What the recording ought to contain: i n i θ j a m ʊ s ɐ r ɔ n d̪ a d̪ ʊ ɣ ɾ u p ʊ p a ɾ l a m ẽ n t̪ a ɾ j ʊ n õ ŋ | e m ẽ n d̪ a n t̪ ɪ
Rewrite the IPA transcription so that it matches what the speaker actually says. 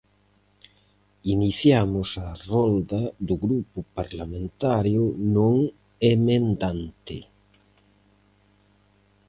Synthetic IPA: i n i θ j a m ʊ s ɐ r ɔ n d̪ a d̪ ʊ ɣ ɾ u p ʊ p a ɾ l a m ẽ n t̪ a ɾ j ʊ n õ ŋ | e m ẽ n d̪ a n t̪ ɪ